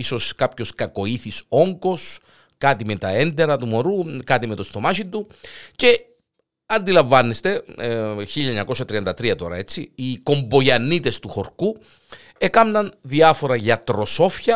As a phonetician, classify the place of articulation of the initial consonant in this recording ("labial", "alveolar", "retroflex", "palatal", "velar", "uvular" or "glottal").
alveolar